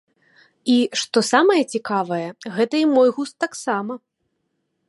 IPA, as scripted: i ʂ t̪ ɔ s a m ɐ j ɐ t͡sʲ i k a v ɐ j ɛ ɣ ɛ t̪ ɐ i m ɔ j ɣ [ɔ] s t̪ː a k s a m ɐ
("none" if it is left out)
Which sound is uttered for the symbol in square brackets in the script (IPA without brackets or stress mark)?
u